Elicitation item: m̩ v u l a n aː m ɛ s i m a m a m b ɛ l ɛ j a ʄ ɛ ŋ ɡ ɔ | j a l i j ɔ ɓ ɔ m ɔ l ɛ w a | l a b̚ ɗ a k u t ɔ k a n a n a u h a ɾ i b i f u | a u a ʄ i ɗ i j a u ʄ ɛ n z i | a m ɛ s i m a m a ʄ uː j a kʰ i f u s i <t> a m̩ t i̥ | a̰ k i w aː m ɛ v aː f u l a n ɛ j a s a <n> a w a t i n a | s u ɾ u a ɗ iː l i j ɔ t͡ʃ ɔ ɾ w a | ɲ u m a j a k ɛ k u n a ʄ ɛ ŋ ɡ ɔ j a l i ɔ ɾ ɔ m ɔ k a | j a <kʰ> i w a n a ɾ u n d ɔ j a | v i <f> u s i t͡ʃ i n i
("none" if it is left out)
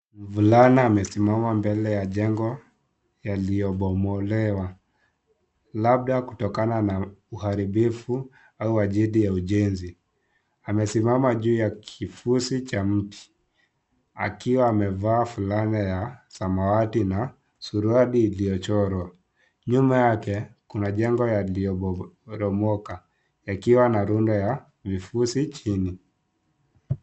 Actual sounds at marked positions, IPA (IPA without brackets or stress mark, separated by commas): t͡ʃ, m, k, f